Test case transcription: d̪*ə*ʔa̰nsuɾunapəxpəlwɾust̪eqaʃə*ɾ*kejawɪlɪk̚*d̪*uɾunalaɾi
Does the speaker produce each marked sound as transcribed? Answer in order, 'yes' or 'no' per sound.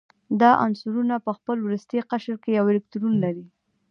no, yes, no

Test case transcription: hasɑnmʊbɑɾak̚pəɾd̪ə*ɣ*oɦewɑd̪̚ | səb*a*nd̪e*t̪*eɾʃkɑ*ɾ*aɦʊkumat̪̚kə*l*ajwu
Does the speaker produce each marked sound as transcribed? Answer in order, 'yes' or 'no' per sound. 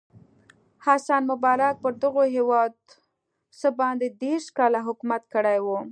yes, no, no, no, no

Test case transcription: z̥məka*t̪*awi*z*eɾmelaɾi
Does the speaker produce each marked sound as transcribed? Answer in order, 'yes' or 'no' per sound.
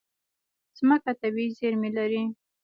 yes, yes

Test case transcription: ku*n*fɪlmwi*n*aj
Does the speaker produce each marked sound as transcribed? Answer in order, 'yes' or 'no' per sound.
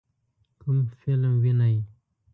no, yes

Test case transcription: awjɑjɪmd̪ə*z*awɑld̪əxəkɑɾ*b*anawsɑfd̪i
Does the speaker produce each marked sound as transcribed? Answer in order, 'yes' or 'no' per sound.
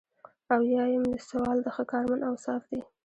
no, no

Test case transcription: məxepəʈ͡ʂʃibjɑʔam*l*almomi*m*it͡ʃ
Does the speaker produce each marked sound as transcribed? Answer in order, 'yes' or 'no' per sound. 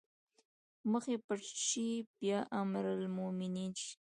no, no

